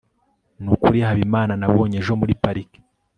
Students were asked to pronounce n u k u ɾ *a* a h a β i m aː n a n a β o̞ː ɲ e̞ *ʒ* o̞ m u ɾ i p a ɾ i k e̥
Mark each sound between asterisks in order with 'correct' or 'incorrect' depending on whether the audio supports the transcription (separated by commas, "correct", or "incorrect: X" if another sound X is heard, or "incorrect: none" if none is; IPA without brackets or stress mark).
incorrect: i, correct